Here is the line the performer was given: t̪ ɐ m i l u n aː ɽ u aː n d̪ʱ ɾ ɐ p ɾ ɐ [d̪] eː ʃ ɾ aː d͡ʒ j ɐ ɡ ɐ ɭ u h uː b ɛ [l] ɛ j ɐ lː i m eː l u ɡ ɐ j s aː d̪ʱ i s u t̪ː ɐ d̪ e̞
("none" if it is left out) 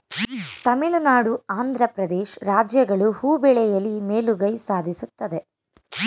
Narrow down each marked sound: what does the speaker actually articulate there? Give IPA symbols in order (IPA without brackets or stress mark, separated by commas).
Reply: d̪, ɭ